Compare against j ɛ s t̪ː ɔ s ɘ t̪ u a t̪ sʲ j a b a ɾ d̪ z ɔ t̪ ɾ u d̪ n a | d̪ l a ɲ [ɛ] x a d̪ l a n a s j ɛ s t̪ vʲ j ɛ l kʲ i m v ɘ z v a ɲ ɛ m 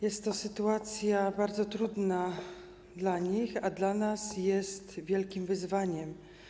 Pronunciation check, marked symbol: incorrect: i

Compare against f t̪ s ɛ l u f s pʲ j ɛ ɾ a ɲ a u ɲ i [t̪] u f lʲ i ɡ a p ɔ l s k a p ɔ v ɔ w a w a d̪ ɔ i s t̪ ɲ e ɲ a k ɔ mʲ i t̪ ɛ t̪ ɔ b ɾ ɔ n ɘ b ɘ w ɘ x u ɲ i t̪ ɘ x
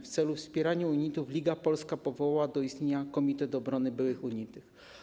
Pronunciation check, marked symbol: correct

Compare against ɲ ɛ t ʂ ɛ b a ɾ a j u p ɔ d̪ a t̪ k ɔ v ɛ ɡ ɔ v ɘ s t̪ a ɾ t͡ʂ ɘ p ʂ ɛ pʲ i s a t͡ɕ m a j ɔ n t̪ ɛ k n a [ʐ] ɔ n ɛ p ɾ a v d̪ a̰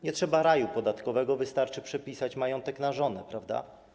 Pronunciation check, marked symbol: correct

